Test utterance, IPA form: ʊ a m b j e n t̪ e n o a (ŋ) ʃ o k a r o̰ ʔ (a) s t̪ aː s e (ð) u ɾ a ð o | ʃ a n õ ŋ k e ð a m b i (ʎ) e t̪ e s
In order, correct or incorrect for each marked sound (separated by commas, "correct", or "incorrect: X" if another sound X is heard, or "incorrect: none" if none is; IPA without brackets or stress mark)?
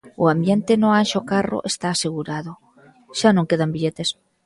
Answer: incorrect: n, incorrect: e, incorrect: ɣ, correct